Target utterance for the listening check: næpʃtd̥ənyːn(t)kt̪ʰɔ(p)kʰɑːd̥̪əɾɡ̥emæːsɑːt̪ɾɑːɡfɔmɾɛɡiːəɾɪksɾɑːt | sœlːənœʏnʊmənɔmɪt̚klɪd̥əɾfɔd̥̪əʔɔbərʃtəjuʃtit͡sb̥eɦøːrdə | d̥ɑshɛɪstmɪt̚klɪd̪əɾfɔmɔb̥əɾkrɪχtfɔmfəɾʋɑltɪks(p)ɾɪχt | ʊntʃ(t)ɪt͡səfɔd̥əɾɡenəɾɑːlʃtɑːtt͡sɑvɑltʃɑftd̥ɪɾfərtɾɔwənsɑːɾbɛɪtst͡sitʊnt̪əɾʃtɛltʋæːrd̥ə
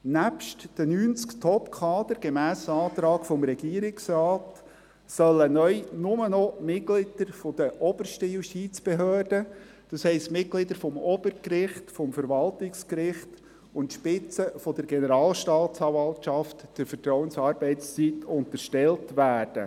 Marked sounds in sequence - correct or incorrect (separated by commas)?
incorrect, correct, incorrect, incorrect